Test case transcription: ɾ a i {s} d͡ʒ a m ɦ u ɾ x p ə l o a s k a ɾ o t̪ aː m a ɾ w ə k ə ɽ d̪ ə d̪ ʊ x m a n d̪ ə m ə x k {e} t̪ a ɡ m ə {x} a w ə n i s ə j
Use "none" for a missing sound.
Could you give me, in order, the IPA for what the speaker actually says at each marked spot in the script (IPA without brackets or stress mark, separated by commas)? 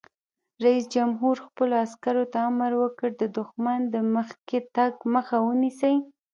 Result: s, e, x